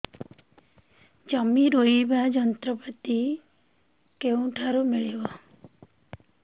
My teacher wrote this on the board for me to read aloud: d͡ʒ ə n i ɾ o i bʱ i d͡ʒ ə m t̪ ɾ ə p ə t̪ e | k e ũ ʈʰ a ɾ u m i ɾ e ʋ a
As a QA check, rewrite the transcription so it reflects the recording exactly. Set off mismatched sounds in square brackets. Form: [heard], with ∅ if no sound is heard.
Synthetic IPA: d͡ʒ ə [m] i ɾ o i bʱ [a] d͡ʒ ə [n] t̪ ɾ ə p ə t̪ [i] | k e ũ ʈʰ a ɾ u m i [ɭ] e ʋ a

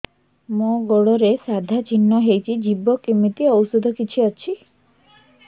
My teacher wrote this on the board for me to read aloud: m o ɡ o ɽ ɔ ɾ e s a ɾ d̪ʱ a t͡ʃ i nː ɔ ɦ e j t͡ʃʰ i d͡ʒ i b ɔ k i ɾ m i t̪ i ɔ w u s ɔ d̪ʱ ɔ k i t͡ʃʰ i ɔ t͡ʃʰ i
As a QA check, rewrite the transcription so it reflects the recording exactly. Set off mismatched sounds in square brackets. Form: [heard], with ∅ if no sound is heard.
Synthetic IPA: m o ɡ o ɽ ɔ ɾ e s a [∅] d̪ʱ a t͡ʃ i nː ɔ ɦ e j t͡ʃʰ i d͡ʒ i b ɔ k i [∅] m i t̪ i ɔ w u s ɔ d̪ʱ ɔ k i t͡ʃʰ i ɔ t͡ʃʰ i

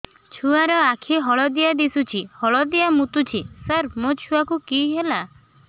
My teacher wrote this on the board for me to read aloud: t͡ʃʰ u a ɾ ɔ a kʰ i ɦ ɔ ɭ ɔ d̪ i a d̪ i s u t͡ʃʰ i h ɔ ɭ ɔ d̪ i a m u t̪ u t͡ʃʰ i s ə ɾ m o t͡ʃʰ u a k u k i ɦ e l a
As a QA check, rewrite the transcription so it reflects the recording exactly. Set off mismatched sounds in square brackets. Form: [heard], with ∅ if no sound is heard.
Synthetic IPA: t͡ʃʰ u a ɾ ɔ a kʰ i ɦ ɔ ɭ ɔ d̪ i a d̪ i s u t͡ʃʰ i h ɔ ɭ ɔ d̪ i a m u t̪ u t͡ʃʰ i s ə ɾ m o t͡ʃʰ u a k u k i ɦ e l a

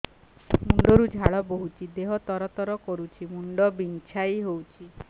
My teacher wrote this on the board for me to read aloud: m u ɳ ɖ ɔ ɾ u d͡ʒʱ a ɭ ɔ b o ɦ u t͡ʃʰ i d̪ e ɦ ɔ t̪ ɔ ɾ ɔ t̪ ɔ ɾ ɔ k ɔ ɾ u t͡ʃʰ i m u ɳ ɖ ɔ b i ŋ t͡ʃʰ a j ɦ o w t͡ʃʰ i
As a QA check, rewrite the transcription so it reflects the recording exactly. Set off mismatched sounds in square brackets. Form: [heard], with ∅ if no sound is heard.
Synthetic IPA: m u ɳ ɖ ɔ ɾ u d͡ʒʱ a ɭ ɔ b o ɦ u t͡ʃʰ i d̪ e ɦ ɔ t̪ ɔ ɾ ɔ t̪ ɔ ɾ ɔ k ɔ ɾ u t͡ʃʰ i m u ɳ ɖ ɔ b i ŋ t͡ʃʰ a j ɦ o w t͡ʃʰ i

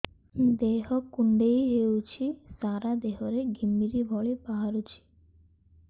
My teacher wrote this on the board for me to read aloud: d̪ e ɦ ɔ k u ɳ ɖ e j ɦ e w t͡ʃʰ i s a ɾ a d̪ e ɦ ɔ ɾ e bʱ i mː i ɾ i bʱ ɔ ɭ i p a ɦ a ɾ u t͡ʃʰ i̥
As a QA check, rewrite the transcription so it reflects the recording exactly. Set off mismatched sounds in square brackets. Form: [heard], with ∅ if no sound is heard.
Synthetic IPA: d̪ e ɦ ɔ k u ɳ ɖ e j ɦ e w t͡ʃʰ i s a ɾ a d̪ e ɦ ɔ ɾ e [ɡʱ] i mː i ɾ i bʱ ɔ ɭ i p a ɦ a ɾ u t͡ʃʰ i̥

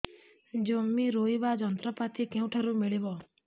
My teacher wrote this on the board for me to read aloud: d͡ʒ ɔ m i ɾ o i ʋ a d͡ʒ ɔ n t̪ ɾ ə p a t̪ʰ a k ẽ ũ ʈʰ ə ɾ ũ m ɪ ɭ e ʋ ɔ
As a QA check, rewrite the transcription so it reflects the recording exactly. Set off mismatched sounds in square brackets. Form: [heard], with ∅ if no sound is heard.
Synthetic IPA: d͡ʒ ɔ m i ɾ o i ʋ a d͡ʒ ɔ n t̪ ɾ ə p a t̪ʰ [i] k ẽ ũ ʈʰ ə ɾ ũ m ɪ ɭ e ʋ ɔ

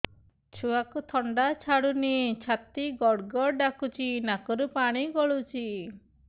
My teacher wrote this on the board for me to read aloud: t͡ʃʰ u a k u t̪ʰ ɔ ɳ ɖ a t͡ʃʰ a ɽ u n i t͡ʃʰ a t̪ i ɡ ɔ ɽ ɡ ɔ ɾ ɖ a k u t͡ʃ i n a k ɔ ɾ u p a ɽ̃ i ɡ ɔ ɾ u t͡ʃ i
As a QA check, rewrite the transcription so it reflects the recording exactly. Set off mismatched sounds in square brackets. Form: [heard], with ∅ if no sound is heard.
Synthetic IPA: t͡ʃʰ u a k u t̪ʰ ɔ ɳ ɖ a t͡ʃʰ a ɽ u n i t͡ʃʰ a t̪ i ɡ ɔ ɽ ɡ ɔ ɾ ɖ a k u t͡ʃ i n a k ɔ ɾ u p a ɽ̃ i ɡ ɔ [ɭ] u t͡ʃ i

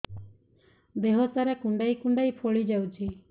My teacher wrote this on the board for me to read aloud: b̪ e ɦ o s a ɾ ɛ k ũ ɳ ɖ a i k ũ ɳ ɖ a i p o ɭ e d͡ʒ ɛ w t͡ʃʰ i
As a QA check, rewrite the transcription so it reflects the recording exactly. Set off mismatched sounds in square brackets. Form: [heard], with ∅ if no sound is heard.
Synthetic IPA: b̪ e ɦ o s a ɾ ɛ k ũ ɳ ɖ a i k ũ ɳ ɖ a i [pʰ] o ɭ [i] d͡ʒ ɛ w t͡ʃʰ i

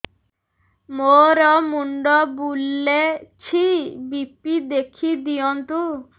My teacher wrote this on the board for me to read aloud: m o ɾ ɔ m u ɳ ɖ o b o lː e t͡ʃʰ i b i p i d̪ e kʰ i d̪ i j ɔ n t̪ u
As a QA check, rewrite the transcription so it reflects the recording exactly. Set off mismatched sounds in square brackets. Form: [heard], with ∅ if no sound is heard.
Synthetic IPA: m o ɾ ɔ m u ɳ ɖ [ɔ] b [u] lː e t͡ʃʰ i b i p i d̪ e kʰ i d̪ i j ɔ n t̪ u

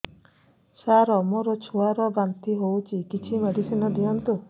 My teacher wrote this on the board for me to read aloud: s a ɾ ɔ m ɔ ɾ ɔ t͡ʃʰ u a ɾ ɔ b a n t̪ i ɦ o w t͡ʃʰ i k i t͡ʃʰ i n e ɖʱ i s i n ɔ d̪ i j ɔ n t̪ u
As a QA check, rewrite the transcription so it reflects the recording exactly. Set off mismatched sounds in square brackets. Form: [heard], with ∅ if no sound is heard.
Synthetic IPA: s a ɾ ɔ m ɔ ɾ ɔ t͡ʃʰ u a ɾ ɔ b a n t̪ i ɦ o w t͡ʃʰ i k i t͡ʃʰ i [m] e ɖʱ i s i n ɔ d̪ i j ɔ n t̪ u

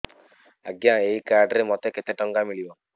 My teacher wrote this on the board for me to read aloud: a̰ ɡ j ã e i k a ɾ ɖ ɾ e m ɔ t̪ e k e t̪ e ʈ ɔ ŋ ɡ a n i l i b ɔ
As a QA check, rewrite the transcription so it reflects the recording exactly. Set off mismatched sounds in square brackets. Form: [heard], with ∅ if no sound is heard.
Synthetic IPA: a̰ ɡ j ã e i k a ɾ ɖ ɾ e m ɔ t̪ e k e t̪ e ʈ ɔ ŋ ɡ a [m] i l i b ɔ

